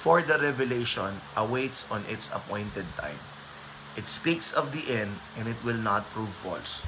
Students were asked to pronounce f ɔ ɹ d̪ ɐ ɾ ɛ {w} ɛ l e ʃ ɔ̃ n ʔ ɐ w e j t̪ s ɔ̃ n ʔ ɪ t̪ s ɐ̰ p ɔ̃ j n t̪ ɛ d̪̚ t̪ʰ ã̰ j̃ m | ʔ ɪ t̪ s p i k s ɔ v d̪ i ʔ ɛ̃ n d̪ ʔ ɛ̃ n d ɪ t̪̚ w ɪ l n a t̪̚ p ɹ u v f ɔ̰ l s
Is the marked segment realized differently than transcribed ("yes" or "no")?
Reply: yes